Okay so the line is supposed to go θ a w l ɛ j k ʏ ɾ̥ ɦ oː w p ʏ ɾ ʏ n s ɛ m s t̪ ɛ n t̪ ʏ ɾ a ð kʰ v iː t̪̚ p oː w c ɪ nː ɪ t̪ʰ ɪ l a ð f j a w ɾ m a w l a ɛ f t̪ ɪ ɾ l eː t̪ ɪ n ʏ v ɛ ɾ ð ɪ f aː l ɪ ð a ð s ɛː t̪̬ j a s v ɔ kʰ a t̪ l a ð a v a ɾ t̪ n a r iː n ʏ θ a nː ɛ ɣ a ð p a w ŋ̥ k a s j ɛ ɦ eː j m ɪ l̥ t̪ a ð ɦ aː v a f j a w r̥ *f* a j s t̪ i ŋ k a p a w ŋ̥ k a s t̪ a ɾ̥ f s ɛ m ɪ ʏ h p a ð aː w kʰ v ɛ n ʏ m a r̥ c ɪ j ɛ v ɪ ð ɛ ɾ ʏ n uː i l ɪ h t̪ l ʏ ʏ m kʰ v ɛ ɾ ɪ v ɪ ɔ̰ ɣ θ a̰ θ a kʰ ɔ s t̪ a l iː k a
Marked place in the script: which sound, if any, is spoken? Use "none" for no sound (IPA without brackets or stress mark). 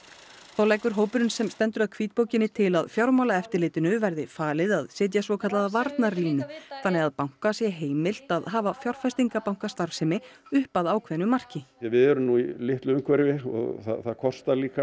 f